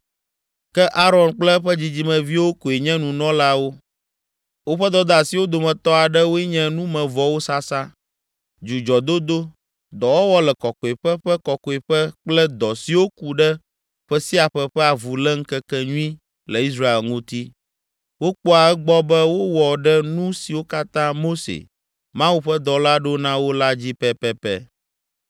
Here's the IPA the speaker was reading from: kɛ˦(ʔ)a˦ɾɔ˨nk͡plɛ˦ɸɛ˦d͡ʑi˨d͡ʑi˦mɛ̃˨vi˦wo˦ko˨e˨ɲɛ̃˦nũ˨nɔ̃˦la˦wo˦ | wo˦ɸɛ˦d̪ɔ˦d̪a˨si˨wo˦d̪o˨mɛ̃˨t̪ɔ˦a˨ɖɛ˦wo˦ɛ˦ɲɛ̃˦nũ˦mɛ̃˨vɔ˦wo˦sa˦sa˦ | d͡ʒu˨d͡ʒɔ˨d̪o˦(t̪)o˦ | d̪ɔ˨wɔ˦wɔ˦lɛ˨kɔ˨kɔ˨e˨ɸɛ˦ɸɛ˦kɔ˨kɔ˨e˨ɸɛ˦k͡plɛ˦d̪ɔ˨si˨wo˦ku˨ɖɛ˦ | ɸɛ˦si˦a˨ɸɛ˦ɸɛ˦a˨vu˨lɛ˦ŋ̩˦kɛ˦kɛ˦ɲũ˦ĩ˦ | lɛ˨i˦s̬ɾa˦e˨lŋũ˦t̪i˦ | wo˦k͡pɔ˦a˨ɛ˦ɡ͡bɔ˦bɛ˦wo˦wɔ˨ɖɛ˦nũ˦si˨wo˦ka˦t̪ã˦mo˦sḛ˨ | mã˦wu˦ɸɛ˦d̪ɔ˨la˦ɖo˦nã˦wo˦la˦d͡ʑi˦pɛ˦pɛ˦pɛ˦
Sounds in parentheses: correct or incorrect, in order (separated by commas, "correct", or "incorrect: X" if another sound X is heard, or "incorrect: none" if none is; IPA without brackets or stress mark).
correct, incorrect: d̪